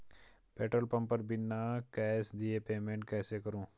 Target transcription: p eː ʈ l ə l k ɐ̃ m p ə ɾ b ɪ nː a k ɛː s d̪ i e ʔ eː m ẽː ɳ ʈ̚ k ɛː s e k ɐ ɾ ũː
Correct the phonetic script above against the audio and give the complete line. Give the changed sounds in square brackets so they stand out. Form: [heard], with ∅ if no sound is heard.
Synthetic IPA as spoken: p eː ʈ [ɾ] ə l [p] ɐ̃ m p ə ɾ b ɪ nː a k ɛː s d̪ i e [p] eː m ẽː ɳ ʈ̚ k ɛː s e k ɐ ɾ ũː